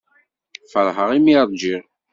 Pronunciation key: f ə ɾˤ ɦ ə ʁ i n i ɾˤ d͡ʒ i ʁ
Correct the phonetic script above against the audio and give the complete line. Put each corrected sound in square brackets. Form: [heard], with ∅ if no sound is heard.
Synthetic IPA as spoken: f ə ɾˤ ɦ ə ʁ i [m] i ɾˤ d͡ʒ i ʁ